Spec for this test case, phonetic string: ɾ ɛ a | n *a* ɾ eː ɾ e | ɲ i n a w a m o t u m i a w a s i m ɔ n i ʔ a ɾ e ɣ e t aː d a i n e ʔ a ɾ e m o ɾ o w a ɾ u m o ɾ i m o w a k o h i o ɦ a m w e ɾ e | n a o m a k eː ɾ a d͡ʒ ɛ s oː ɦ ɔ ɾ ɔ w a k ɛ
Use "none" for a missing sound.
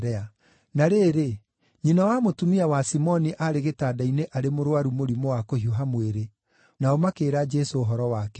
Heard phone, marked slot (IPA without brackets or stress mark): a